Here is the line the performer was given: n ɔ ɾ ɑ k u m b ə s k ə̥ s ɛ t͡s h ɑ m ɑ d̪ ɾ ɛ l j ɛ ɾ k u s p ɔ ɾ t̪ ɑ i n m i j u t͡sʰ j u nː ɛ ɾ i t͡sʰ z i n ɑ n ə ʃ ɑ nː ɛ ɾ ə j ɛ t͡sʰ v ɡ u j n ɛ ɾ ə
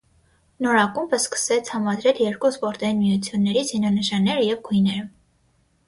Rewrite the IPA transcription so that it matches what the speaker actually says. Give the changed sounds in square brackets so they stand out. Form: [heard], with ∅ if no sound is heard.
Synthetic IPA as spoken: n ɔ ɾ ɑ k u m b ə s k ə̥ s ɛ [t͡sʰ] h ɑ m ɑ d̪ ɾ ɛ l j ɛ ɾ k u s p ɔ ɾ t̪ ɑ i n m i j u t͡sʰ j u nː ɛ ɾ i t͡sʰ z i n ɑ n ə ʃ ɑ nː ɛ ɾ ə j ɛ [∅] v ɡ u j n ɛ ɾ ə